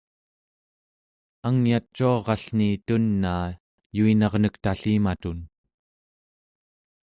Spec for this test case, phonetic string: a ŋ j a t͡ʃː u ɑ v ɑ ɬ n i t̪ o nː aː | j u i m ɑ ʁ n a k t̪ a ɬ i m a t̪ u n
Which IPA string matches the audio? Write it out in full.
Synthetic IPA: a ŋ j a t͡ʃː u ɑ ʁ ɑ ɬ n i t̪ u nː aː | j u i n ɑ ʁ n ə k t̪ a ɬ i m a t̪ u n